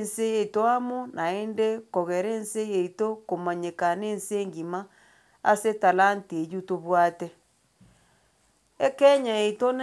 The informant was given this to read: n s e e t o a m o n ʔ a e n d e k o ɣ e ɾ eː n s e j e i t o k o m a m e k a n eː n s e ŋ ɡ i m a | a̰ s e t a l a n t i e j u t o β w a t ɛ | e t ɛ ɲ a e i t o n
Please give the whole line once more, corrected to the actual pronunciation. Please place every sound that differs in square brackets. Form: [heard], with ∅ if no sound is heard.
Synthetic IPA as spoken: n s e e t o a m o n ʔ a e n d e k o ɣ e ɾ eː n s e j e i t o k o m a [ɲ] e k a n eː n s e ŋ ɡ i m a | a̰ s e t a l a n t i e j u t o β w a t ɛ | e [k] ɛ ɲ a e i t o n